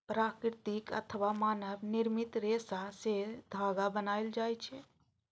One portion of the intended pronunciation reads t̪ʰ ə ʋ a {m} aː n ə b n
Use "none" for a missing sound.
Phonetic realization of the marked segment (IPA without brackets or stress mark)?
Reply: m